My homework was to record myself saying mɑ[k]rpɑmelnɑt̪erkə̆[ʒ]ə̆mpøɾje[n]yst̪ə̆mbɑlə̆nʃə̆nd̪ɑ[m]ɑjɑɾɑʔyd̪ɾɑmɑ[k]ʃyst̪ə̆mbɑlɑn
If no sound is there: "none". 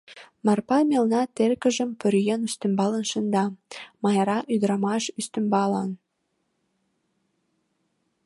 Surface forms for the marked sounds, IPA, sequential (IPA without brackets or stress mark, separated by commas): none, ʒ, n, m, none